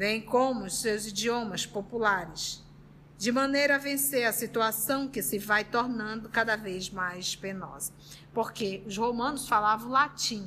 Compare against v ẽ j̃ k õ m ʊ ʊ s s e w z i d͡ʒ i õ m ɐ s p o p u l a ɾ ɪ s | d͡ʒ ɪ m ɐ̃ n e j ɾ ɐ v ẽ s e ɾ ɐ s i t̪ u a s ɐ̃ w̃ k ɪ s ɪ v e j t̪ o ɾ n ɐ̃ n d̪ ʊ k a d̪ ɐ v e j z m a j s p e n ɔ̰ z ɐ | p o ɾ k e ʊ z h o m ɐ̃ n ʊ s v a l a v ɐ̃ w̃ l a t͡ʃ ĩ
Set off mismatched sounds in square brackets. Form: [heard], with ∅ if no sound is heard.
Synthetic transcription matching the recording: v ẽ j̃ k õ m ʊ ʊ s s e w z i d͡ʒ i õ m ɐ s p o p u l a ɾ ɪ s | d͡ʒ ɪ m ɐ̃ n e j ɾ ɐ v ẽ s e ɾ ɐ s i t̪ u a s ɐ̃ w̃ k ɪ s ɪ v [a] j t̪ o ɾ n ɐ̃ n d̪ ʊ k a d̪ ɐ v e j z m a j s p e n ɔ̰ z ɐ | p o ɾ k e ʊ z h o m ɐ̃ n ʊ s [f] a l a v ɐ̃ w̃ l a t͡ʃ ĩ